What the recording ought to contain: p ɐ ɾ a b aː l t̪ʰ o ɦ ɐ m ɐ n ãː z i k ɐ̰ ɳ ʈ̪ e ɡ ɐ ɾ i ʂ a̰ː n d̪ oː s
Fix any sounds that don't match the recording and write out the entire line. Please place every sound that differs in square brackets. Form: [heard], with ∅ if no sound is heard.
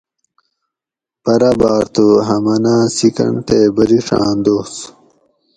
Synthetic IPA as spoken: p ɐ ɾ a b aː [ɾ] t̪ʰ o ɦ ɐ m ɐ n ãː [s] i k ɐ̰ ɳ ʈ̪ e [b] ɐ ɾ i ʂ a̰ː n d̪ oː s